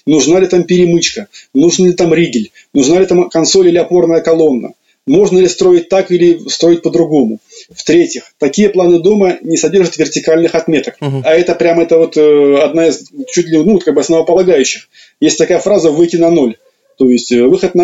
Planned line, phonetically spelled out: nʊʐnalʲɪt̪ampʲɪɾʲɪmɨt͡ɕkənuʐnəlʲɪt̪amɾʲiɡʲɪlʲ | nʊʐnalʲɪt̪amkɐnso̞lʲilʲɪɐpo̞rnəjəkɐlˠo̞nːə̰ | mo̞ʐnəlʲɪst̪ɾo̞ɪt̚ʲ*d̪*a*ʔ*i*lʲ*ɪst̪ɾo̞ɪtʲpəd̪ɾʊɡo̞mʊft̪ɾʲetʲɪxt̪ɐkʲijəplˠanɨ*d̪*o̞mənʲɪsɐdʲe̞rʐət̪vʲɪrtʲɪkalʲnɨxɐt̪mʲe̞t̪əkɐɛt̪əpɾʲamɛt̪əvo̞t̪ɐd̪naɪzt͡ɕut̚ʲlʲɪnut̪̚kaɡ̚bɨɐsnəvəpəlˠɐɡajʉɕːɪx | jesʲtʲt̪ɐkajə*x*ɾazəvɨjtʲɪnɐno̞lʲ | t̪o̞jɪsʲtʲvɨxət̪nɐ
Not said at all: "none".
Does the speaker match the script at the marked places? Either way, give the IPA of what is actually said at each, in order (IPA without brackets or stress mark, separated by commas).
t̪, k, lʲ, d̪, f